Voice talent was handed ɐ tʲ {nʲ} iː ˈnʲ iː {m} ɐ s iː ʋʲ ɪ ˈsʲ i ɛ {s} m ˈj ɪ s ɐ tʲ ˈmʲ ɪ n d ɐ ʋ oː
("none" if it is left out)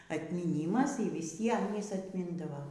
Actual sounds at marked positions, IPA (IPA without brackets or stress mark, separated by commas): mʲ, m, none